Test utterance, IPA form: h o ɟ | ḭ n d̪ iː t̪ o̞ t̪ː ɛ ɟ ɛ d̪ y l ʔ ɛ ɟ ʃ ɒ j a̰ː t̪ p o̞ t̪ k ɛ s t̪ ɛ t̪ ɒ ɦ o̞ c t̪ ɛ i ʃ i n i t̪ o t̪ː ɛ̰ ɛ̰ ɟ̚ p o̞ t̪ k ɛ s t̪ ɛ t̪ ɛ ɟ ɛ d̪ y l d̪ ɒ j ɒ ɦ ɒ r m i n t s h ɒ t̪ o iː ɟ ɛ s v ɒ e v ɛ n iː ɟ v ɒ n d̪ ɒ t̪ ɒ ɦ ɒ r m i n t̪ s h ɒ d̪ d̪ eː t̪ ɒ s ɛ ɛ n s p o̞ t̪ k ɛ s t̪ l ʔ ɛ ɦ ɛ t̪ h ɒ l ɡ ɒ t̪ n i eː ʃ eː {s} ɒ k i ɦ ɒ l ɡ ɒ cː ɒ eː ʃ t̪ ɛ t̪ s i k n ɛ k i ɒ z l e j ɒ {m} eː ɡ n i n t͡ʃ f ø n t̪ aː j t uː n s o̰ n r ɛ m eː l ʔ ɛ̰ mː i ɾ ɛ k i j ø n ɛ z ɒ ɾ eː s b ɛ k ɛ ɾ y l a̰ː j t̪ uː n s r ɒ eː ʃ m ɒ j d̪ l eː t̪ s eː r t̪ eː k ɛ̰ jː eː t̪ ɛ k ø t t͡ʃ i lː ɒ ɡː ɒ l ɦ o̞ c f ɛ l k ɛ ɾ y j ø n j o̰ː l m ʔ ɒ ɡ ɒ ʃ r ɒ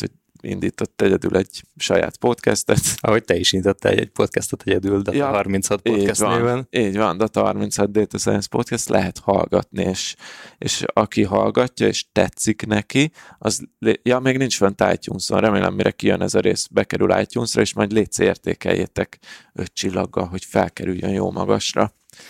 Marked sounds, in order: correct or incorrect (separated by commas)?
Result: incorrect, correct